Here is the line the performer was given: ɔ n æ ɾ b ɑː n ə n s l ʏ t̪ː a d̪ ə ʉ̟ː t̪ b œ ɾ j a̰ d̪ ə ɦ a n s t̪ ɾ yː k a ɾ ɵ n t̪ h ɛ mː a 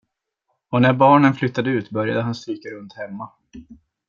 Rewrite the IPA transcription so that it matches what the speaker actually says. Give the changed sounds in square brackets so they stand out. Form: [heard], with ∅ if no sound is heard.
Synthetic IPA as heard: ɔ n æ ɾ b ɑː [ɳ] ə n [f] l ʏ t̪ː a d̪ ə ʉ̟ː t̪ b œ ɾ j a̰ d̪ ə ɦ a n s t̪ ɾ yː k a ɾ ɵ n t̪ h ɛ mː a